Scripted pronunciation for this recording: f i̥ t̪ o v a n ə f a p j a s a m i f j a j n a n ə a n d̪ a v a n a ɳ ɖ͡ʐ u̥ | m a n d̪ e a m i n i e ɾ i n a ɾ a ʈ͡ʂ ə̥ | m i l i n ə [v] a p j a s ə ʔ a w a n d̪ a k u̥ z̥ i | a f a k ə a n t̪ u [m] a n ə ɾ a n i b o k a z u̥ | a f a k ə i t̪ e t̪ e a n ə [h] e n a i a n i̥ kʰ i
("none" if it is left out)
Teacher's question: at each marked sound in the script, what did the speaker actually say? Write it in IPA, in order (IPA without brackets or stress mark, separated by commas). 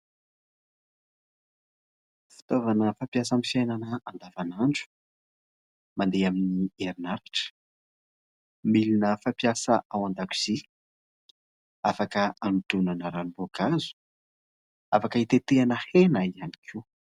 f, n, h